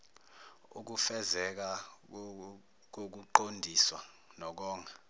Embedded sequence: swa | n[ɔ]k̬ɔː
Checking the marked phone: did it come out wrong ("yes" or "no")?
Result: no